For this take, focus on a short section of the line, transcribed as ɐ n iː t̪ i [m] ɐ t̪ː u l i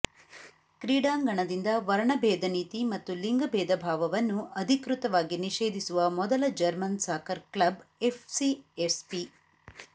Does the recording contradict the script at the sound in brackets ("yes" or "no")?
no